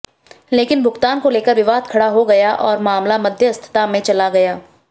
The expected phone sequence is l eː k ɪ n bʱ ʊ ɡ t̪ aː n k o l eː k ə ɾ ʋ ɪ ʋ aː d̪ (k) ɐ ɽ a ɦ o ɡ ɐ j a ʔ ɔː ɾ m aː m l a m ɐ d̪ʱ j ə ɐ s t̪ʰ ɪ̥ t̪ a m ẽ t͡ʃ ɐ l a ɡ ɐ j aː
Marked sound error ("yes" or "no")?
yes